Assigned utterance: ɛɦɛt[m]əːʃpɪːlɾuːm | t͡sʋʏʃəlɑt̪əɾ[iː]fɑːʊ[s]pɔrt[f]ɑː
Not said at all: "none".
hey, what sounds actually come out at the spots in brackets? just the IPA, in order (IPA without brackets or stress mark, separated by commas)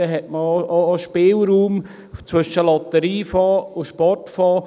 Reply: m, iː, ʃ, f